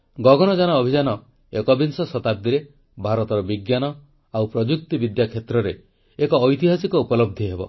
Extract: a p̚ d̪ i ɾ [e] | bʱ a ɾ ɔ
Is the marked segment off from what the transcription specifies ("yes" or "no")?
no